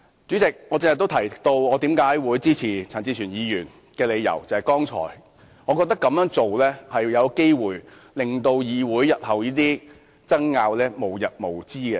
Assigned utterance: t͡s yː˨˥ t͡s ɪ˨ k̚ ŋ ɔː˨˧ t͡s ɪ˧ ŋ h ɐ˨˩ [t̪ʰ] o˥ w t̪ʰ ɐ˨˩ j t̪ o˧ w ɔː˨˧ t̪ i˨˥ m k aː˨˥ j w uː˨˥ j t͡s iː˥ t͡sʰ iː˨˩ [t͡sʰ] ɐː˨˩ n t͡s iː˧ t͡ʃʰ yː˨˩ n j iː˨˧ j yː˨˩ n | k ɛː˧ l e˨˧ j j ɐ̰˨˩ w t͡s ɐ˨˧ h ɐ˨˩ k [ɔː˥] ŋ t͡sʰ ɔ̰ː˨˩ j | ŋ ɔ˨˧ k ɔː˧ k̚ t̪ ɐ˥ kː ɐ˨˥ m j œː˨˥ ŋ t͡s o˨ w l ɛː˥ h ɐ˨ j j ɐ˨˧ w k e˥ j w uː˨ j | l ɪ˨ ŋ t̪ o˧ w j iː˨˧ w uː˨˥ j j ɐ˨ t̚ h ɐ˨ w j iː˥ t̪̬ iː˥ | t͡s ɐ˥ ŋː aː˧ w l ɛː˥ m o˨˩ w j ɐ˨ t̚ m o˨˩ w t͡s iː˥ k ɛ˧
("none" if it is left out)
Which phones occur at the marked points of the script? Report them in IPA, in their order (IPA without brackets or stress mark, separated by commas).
t̪, t͡sʰ, ɔː˥